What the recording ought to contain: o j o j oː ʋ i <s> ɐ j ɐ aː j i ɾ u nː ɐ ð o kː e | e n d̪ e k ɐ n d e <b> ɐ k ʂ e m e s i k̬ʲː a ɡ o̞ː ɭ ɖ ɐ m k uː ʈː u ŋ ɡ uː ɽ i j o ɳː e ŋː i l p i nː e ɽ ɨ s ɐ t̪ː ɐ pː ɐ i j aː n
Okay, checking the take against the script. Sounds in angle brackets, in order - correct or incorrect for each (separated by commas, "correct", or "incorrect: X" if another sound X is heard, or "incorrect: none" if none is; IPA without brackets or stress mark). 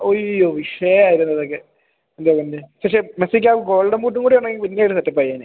incorrect: ʂ, incorrect: p